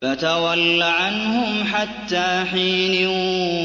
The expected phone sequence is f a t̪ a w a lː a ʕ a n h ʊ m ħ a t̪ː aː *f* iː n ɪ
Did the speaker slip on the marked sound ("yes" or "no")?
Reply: yes